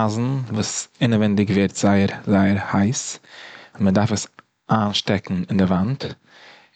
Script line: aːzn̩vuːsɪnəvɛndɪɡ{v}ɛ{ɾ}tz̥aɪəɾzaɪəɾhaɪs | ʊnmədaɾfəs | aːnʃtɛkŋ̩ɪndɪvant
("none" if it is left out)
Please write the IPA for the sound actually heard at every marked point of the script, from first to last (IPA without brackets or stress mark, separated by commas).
v, ɾ